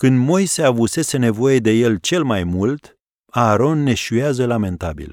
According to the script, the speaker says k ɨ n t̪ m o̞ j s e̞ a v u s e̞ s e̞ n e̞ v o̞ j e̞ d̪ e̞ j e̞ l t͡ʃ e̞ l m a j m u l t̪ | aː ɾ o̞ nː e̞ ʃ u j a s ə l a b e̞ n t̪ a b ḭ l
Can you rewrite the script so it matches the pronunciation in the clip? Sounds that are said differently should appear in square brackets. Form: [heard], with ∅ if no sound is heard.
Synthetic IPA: k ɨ n [d̪] m o̞ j s e̞ a v u s e̞ s e̞ n e̞ v o̞ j e̞ d̪ e̞ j e̞ l t͡ʃ e̞ l m a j m u l t̪ | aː ɾ o̞ nː e̞ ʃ u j a [z] ə l a [m] e̞ n t̪ a b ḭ l